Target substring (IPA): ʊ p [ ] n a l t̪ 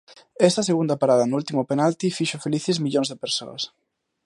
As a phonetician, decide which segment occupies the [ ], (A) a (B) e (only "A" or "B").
B